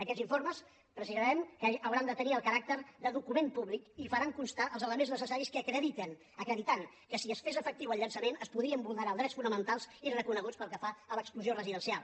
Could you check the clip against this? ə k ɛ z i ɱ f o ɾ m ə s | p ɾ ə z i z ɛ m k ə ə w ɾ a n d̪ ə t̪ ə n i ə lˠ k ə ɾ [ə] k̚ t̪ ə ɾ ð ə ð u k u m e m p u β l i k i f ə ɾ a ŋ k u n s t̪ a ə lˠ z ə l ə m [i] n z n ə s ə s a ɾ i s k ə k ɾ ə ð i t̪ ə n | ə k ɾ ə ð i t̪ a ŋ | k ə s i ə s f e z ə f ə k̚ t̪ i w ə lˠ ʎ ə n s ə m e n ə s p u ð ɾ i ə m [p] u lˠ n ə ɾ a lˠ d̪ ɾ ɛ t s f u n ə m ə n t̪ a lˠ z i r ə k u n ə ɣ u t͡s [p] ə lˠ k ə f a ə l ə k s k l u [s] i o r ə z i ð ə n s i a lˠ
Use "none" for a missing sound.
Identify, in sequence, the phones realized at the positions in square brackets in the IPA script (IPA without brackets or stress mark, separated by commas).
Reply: a, e, b, p, z